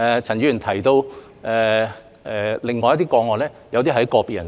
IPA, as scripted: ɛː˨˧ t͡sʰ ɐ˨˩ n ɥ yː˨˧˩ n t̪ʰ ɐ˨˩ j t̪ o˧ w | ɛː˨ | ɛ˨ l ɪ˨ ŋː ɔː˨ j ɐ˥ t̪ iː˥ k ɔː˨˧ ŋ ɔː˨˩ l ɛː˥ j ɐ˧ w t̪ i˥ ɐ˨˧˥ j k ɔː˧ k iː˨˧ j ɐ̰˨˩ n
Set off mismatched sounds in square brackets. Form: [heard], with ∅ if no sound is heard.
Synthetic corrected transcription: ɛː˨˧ t͡sʰ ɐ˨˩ n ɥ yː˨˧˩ n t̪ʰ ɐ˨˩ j t̪ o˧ w | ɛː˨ | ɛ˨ l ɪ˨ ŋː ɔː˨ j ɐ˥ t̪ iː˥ k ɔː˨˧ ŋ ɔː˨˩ l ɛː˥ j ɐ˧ w t̪ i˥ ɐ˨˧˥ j k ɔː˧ [p] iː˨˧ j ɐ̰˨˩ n